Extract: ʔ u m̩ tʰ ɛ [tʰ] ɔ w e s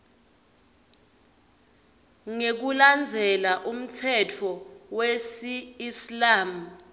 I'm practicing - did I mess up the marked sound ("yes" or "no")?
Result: no